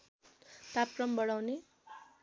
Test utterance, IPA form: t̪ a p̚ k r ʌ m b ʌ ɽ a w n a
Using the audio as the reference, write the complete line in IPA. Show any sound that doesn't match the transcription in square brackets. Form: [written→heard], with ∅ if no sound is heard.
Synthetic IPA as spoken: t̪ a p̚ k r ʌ m b ʌ ɽ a w n [a→e]